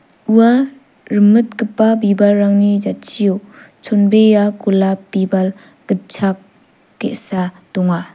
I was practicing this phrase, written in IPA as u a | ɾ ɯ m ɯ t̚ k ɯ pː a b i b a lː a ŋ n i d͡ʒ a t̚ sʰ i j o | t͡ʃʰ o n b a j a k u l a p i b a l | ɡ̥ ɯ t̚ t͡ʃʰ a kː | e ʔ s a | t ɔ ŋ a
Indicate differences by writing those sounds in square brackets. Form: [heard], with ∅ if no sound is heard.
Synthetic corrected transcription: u a | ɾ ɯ m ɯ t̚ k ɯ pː a b i b a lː a ŋ n i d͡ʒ a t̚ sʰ i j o | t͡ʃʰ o n b [e] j a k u l a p i b a l | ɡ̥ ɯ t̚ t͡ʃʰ a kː | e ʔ s a | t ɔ ŋ a